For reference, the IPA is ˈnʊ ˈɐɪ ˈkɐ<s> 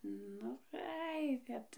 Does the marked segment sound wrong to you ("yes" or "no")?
yes